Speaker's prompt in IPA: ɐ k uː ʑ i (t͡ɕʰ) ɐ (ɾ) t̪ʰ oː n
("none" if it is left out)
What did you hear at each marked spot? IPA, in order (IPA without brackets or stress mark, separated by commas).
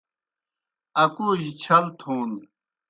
t͡ɕʰ, l